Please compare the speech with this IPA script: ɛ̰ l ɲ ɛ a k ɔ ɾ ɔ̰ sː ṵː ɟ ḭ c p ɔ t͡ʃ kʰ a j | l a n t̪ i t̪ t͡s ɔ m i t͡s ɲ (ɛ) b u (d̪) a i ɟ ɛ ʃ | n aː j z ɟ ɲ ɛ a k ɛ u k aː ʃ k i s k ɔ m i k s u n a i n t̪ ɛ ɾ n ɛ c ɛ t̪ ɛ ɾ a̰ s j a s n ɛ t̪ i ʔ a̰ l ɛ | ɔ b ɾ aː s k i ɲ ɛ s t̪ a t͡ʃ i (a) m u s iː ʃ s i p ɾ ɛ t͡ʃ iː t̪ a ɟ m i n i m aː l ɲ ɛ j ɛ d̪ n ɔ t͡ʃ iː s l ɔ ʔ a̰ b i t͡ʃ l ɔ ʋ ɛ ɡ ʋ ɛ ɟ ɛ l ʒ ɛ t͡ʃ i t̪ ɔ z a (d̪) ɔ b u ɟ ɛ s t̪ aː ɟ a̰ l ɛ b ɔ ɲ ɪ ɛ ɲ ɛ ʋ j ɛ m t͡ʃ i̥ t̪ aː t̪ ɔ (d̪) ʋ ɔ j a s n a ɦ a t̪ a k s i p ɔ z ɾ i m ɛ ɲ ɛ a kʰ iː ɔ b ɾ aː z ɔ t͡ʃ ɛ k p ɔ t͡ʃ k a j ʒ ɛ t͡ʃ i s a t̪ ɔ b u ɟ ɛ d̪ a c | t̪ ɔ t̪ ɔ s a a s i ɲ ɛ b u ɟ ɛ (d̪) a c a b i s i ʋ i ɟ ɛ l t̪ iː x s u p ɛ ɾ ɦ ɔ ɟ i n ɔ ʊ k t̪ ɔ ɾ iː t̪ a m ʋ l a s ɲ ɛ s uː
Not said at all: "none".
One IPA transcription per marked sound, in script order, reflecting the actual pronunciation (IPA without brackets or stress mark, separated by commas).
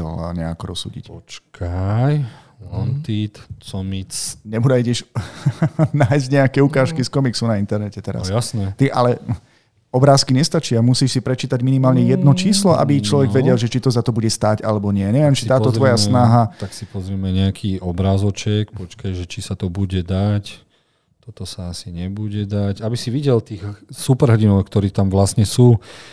ɛ, d̪, a, t̪, t̪, d̪